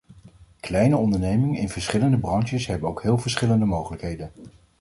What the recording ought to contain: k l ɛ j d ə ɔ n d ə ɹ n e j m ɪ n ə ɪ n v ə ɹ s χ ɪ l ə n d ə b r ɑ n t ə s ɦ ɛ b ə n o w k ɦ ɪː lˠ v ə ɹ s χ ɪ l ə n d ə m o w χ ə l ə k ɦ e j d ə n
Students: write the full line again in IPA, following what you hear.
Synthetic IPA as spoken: k l ɛ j n ə ɔ n d ə ɹ n e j m ɪ ŋ ə ɪ n v ə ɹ s χ ɪ l ə n d ə b r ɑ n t ə s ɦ ɛ b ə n o w k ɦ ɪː lˠ v ə ɹ s χ ɪ l ə n d ə m o w χ ə l ə k ɦ e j d ə n